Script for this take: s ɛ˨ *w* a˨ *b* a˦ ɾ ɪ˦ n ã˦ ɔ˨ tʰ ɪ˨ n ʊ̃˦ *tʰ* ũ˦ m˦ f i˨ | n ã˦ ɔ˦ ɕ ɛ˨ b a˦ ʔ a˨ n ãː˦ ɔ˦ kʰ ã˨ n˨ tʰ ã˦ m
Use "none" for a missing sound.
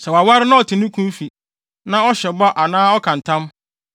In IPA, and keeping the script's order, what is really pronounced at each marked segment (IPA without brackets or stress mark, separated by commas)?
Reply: w, w, kʰ